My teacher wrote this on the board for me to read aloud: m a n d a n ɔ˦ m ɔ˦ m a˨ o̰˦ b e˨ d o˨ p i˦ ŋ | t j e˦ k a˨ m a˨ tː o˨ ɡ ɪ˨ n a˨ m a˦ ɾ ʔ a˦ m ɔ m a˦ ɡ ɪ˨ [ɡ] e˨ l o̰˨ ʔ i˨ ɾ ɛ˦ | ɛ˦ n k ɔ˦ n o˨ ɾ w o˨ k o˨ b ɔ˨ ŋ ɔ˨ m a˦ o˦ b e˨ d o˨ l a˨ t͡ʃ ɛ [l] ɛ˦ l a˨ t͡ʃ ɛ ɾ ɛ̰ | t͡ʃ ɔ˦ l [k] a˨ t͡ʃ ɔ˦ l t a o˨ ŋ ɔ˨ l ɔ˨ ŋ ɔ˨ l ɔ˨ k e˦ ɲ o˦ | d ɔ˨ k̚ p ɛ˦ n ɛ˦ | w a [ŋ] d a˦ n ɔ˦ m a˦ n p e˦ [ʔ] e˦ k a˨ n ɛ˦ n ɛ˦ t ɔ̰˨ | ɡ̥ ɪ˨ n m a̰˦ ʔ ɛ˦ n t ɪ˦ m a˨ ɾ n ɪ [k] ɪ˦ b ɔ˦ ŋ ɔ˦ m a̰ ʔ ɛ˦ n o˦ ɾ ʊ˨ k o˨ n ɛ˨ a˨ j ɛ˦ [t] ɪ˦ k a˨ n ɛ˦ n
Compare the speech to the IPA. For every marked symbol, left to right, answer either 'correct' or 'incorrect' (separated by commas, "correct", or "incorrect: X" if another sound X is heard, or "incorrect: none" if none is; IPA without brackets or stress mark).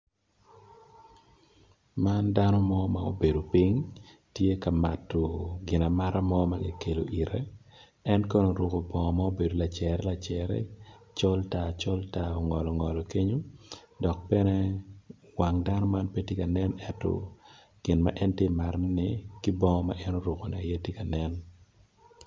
incorrect: k, incorrect: ɾ, incorrect: t, correct, incorrect: t, correct, correct